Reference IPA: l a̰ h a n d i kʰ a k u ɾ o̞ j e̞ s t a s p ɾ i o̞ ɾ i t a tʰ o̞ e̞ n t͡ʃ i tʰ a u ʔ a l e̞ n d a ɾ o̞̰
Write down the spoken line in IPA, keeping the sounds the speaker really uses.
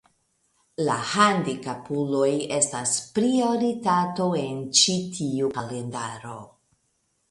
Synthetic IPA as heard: l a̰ h a n d i k a p u l o̞ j e̞ s t a s p ɾ i o̞ ɾ i t a t o̞ e̞ n t͡ʃ i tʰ i u k a l e̞ n d a ɾ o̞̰